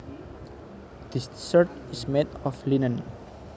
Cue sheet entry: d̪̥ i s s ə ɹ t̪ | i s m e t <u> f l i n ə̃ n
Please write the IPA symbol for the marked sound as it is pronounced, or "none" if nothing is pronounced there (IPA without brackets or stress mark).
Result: ɔ